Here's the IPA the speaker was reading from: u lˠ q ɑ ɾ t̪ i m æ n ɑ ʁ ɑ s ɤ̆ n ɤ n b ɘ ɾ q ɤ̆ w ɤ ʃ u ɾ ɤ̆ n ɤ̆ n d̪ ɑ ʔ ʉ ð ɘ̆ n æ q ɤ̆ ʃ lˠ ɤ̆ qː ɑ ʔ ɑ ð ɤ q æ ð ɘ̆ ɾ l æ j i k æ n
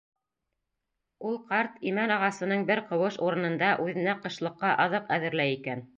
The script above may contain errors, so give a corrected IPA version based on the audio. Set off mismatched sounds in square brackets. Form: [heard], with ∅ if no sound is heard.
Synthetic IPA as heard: u lˠ q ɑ ɾ t̪ i m æ n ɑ ʁ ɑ s ɤ̆ n ɤ [ɴ] b ɘ ɾ q ɤ̆ w ɤ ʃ u ɾ ɤ̆ n ɤ̆ n d̪ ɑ ʔ ʉ ð ɘ̆ n æ q ɤ̆ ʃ lˠ ɤ̆ qː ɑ ʔ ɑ ð ɤ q æ ð ɘ̆ ɾ l æ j i k æ n